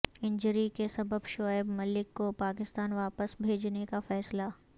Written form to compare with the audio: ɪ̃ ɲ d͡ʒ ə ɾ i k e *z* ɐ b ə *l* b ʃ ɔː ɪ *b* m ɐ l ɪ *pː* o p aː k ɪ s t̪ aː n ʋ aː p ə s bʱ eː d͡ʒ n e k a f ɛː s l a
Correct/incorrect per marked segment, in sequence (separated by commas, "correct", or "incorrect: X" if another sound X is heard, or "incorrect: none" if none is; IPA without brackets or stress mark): incorrect: s, incorrect: none, correct, incorrect: kː